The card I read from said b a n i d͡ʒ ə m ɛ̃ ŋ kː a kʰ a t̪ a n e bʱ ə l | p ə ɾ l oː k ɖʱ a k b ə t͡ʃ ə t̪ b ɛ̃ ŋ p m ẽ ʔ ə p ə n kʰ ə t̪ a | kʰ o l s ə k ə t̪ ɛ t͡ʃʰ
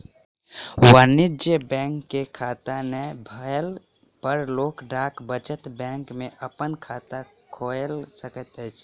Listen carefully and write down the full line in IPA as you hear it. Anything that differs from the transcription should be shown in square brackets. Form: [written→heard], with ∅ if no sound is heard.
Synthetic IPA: [b→w] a n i d͡ʒ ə [m→b] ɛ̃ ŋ kː [a→e] kʰ a t̪ a n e bʱ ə l | p ə ɾ l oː k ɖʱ a k b ə t͡ʃ ə t̪ b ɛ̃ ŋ [p→k] m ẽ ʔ ə p ə n kʰ [ə→a] t̪ a | kʰ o l s ə k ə t̪ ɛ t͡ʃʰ